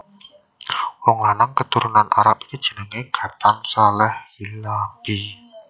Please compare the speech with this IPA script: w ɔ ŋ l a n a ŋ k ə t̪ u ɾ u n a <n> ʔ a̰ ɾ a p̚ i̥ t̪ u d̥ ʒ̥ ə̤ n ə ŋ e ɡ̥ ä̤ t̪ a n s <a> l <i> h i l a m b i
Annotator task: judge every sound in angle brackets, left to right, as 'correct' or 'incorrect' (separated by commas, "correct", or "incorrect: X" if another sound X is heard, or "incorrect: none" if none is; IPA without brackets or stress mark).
correct, correct, incorrect: ɛ